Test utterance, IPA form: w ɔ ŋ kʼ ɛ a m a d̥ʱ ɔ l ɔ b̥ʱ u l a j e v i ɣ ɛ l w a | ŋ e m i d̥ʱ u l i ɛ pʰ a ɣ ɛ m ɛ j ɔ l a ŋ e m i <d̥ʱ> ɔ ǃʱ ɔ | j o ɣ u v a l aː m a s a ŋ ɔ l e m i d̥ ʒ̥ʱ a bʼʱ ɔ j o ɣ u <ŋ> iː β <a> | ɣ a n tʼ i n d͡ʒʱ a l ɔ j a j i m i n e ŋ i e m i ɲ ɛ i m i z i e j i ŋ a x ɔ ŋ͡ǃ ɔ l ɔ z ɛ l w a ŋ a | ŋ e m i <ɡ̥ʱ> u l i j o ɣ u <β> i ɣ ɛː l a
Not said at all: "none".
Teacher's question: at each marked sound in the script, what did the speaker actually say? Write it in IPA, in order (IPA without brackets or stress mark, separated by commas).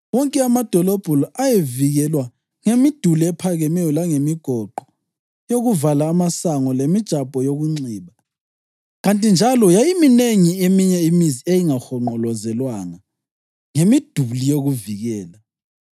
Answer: ɡ̥ʱ, ŋ͡ǀ, a, d̥ʱ, v